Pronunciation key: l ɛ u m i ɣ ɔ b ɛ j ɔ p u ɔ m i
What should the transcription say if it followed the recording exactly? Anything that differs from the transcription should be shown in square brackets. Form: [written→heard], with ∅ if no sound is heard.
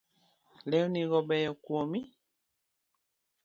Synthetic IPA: l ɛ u [m→n] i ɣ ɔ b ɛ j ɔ [p→k] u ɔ m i

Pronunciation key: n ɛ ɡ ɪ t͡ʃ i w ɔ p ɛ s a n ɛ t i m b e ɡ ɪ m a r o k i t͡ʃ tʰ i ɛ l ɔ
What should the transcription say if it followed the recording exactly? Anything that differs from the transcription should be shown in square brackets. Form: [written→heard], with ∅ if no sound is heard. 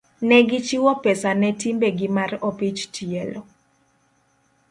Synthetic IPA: n ɛ ɡ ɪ t͡ʃ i w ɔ p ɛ s a n ɛ t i m b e ɡ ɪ m a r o [k→p] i t͡ʃ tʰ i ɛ l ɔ

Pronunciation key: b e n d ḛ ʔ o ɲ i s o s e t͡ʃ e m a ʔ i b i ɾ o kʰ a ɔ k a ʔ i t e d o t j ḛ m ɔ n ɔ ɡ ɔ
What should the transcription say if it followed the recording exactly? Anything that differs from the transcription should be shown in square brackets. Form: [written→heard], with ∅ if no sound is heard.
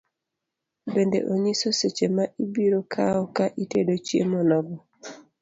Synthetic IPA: b e n d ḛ ʔ o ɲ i s o s e t͡ʃ e m a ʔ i b i ɾ o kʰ a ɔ k a ʔ i t e d o [t→t͡ʃ] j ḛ m ɔ n ɔ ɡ ɔ

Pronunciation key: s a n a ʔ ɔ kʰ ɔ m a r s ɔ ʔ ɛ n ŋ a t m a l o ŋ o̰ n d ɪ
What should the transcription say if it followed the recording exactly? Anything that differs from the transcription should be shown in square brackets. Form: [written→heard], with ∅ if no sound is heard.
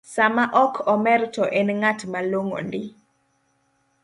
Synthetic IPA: s a [n→m] a ʔ ɔ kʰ ɔ m [a→ɛ] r [s→t] ɔ ʔ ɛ n ŋ a t m a l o ŋ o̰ n d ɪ

